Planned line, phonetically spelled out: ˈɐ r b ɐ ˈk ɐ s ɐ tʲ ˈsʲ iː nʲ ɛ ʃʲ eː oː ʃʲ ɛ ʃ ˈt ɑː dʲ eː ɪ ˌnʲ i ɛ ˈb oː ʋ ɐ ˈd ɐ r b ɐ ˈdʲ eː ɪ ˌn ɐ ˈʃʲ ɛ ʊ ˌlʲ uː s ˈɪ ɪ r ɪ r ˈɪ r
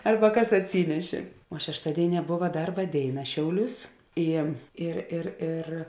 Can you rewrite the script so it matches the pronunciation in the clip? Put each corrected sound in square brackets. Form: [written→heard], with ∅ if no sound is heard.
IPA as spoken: ˈɐ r b ɐ ˈk ɐ s ɐ tʲ ˈsʲ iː nʲ ɛ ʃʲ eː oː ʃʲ ɛ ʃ ˈt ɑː dʲ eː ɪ ˌnʲ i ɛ ˈb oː ʋ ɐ ˈd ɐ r b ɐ ˈdʲ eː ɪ ˌn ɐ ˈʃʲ ɛ ʊ ˌlʲ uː s ˈɪ ɪ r ɪ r ˈɪ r